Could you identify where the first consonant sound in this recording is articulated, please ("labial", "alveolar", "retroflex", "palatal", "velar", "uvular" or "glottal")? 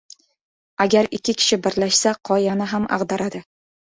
velar